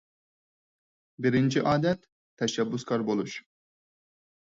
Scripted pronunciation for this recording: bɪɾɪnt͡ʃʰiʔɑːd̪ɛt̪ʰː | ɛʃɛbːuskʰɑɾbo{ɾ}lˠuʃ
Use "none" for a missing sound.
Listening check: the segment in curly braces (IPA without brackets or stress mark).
none